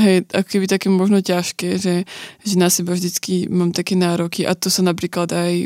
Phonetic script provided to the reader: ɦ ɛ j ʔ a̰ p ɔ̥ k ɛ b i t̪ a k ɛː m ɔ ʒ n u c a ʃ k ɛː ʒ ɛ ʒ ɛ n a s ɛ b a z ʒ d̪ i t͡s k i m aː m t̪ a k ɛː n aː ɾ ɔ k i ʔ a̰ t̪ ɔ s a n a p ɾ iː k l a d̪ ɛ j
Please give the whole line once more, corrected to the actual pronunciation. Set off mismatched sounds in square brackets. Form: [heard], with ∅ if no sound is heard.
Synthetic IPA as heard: ɦ ɛ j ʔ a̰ [k] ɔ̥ k ɛ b i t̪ a k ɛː m ɔ ʒ n [ɔ] c a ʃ k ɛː ʒ ɛ ʒ ɛ n a s ɛ b a [v] ʒ d̪ i t͡s k i m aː m t̪ a k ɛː n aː ɾ ɔ k i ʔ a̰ t̪ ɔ s a n a p ɾ iː k l a d̪ [a] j